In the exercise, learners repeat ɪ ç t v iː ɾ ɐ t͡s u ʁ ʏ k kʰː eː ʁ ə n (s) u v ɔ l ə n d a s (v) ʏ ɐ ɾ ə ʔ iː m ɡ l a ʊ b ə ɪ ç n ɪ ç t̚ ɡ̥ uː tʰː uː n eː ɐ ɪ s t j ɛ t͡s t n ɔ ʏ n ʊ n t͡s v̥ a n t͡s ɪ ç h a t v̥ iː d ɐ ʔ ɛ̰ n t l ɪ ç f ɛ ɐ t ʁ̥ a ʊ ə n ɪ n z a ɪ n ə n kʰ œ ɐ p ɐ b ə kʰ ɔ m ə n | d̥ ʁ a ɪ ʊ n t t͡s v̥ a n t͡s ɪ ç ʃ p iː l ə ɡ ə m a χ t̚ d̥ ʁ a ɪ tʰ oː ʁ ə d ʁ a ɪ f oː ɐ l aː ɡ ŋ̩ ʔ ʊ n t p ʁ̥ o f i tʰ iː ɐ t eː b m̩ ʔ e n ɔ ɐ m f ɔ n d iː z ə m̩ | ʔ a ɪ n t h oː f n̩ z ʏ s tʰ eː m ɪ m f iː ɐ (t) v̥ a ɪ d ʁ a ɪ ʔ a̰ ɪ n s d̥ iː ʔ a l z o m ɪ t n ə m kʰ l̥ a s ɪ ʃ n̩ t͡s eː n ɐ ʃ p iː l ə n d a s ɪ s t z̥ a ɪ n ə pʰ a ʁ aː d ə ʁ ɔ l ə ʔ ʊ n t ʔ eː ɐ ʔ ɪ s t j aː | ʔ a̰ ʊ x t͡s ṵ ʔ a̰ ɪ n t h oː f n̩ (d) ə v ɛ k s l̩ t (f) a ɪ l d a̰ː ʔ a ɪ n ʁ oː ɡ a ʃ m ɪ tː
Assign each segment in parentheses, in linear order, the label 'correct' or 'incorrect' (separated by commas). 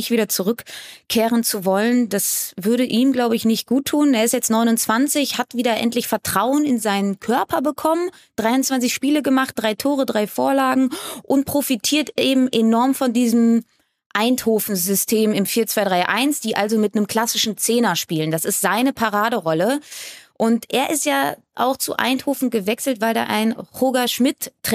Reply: incorrect, correct, incorrect, incorrect, incorrect